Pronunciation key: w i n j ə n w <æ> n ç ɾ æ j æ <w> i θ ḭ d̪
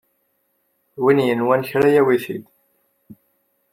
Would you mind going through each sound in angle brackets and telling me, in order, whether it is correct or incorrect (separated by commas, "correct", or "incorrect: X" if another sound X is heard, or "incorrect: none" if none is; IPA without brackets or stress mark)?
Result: correct, correct